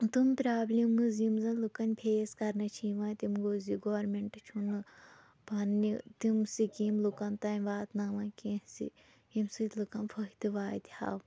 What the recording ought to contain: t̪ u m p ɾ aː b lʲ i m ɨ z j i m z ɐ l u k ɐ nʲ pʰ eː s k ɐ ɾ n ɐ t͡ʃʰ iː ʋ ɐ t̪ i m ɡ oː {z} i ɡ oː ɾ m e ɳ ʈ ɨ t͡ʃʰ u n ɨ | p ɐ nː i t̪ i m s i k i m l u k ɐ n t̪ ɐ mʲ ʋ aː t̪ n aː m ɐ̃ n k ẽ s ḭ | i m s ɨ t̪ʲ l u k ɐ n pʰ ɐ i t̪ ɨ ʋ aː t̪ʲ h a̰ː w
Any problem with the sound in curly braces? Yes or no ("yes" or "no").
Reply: no